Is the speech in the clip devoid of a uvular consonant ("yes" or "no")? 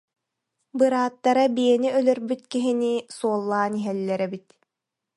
yes